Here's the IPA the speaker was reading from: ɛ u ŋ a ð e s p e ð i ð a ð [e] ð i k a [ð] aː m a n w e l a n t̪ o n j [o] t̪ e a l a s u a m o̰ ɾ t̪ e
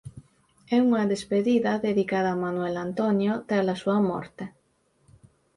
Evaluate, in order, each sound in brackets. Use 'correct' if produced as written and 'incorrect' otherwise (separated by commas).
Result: correct, correct, correct